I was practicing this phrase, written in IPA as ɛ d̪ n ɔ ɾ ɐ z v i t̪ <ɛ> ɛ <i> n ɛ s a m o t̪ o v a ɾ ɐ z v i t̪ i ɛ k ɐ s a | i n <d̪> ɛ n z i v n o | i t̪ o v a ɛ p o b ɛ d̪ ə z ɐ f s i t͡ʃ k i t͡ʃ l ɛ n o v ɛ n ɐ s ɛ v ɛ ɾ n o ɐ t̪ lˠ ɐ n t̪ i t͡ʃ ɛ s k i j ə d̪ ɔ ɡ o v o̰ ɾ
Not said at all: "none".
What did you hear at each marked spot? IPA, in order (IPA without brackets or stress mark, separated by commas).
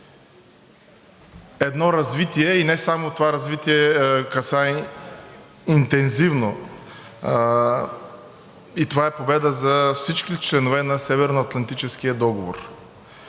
i, i, t̪